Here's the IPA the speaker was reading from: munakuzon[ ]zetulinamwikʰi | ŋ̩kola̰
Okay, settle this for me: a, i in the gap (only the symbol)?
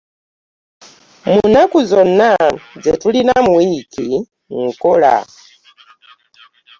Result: a